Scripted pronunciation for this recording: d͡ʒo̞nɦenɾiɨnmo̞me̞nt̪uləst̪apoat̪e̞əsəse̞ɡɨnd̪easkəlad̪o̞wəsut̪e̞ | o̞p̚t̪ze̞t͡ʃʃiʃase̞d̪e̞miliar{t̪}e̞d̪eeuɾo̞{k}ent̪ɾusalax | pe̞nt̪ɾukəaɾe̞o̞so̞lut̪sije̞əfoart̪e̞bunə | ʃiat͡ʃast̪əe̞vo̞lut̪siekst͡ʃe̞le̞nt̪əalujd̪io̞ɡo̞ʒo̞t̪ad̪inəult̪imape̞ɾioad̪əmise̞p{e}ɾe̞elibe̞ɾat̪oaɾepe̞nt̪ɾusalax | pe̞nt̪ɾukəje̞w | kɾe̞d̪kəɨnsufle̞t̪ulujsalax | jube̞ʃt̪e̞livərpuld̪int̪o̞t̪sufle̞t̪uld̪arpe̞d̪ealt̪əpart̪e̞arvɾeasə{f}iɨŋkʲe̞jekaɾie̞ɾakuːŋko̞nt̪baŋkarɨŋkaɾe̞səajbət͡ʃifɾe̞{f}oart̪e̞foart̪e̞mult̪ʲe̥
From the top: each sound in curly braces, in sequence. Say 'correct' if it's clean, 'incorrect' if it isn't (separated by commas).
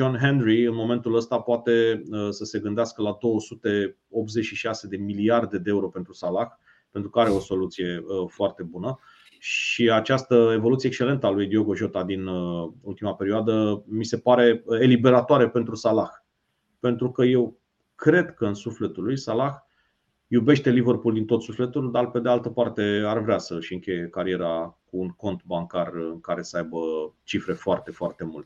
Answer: incorrect, incorrect, incorrect, incorrect, correct